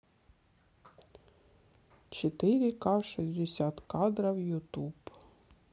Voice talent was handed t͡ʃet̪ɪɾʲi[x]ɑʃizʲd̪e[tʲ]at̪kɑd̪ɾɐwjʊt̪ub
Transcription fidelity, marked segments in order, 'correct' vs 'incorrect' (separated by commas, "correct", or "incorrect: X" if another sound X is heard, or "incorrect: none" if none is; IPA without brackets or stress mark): incorrect: k, incorrect: sʲ